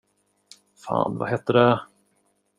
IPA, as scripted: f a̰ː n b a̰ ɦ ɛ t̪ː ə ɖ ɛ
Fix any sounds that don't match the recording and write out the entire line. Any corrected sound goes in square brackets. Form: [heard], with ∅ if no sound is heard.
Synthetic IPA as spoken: f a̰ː n [v] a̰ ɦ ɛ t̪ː ə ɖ ɛ